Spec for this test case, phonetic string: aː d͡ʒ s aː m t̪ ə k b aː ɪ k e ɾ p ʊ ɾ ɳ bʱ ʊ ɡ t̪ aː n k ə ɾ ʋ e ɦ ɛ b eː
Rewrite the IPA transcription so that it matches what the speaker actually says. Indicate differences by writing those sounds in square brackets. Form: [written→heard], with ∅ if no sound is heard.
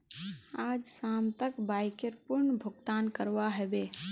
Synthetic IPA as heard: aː d͡ʒ s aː m t̪ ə k b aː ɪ k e ɾ p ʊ ɾ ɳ bʱ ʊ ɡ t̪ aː n k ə ɾ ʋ [e→a] ɦ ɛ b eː